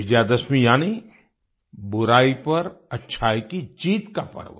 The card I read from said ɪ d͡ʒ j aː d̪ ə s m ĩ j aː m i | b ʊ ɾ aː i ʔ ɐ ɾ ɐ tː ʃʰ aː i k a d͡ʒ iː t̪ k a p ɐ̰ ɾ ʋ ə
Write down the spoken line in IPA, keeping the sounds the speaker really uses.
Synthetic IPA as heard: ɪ d͡ʒ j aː d̪ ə s m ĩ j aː n i | b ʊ ɾ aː i p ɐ ɾ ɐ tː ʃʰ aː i k i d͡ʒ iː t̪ k a p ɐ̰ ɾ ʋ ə